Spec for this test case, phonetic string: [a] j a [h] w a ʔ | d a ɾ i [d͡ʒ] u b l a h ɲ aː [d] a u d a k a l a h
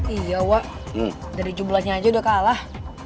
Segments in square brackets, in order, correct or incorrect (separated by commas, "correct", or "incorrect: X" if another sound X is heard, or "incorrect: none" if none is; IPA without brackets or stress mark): incorrect: i, incorrect: none, correct, incorrect: d͡ʒ